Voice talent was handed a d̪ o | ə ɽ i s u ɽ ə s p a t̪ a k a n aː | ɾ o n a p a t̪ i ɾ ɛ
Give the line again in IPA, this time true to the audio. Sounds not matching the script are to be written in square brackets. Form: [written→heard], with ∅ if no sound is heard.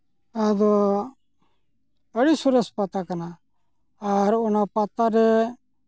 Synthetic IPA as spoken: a d̪ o | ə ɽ i s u [ɽ→ɾ] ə s p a t̪ a k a n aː | ɾ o n a p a t̪ [i→a] ɾ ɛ